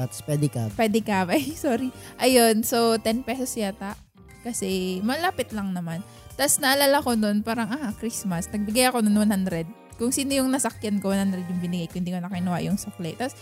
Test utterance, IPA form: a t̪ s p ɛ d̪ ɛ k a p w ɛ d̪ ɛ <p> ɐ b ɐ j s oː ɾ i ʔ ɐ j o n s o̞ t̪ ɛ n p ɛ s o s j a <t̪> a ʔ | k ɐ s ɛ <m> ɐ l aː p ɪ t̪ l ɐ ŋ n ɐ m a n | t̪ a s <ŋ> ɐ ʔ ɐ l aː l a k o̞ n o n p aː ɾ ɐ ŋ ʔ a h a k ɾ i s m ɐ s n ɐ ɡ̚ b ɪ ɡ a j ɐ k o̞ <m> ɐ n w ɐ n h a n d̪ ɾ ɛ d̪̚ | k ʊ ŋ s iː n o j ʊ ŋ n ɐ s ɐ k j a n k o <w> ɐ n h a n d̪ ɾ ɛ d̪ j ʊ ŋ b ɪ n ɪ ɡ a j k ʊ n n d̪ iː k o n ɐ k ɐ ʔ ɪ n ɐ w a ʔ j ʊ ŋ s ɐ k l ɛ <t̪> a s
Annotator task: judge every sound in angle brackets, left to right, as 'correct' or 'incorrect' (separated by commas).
incorrect, correct, correct, incorrect, incorrect, correct, correct